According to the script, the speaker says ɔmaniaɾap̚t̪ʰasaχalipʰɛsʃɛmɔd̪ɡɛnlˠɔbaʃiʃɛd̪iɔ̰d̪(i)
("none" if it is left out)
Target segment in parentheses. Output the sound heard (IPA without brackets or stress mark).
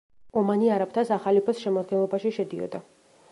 a